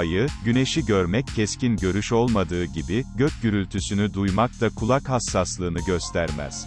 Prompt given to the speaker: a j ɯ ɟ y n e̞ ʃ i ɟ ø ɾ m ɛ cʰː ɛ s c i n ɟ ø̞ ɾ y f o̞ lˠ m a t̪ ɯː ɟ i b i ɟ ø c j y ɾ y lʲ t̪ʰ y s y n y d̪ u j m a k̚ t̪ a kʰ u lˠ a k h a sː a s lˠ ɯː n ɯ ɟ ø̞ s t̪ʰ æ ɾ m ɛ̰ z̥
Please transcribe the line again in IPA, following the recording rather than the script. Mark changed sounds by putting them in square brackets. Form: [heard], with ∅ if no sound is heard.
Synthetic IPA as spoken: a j ɯ ɟ y n e̞ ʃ i ɟ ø ɾ m ɛ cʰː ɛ s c i n ɟ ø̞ ɾ y [ʃ] o̞ lˠ m a [d̪] ɯː ɟ i b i ɟ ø c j y ɾ y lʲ t̪ʰ y s y n y d̪ u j m a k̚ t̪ a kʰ u lˠ a k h a sː a s lˠ ɯː n ɯ ɟ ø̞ s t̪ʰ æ ɾ m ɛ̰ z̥